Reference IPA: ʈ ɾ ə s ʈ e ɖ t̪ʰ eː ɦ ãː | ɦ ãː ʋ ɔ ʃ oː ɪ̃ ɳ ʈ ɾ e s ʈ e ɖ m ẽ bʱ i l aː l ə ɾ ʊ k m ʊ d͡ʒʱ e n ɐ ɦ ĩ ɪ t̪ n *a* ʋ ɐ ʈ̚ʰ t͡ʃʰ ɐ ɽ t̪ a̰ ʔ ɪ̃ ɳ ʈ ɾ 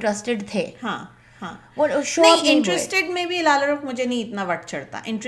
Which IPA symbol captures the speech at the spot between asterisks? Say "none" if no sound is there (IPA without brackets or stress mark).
a